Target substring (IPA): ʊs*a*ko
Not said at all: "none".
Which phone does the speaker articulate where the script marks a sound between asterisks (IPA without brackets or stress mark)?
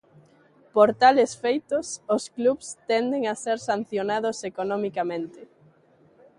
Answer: e